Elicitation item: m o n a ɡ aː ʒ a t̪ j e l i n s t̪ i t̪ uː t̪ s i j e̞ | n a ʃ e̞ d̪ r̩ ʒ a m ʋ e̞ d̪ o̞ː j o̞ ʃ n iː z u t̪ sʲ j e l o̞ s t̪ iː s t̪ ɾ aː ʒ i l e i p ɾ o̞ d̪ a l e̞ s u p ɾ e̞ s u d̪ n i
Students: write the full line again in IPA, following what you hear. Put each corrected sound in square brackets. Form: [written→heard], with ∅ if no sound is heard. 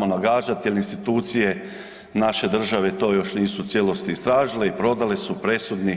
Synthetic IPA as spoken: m o n a ɡ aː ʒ a t̪ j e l i n s t̪ i t̪ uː t̪ s i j e̞ | n a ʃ e̞ d̪ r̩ ʒ a [m→∅] ʋ e̞ [d̪→t̪] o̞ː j o̞ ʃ n iː [z→s] u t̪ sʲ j e l o̞ s t̪ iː s t̪ ɾ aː ʒ i l e i p ɾ o̞ d̪ a l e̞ s u p ɾ e̞ s u d̪ n i